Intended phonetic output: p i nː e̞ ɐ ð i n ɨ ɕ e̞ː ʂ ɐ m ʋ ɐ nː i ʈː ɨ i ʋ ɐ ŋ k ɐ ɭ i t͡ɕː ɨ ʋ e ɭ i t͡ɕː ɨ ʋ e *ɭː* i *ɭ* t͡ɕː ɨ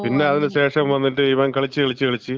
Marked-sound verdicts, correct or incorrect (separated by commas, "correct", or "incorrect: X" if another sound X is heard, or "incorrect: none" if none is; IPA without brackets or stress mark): incorrect: ɭ, incorrect: none